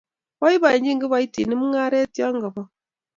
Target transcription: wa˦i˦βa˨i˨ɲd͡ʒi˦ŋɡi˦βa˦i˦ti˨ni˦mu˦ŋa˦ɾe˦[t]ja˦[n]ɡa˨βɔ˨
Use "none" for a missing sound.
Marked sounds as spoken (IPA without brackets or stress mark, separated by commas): t, ŋ